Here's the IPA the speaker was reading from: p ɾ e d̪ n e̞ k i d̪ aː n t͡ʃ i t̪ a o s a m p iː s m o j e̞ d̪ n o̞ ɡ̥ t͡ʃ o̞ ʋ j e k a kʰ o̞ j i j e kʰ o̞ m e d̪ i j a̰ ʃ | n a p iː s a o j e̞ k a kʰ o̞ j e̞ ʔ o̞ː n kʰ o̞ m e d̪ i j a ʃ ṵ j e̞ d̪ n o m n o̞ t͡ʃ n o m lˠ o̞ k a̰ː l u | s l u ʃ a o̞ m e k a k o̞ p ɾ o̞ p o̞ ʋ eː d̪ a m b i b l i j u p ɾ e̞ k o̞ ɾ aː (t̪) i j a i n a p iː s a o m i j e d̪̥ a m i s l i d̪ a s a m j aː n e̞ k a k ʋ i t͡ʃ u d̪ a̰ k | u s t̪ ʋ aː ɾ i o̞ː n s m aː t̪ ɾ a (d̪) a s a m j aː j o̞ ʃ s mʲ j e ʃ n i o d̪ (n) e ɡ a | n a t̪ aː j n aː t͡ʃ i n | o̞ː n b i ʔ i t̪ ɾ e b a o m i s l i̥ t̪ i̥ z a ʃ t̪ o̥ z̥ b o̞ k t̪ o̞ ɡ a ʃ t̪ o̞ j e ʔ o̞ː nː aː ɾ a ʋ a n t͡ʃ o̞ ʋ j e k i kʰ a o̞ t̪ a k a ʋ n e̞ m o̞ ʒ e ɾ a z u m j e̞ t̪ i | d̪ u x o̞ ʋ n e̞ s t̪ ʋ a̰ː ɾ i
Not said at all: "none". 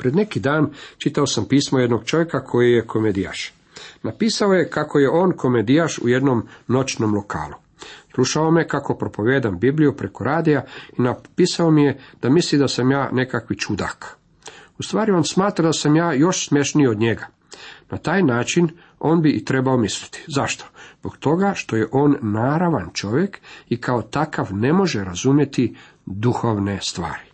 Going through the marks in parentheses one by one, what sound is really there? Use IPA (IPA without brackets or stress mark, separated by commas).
d̪, d̪, ɲ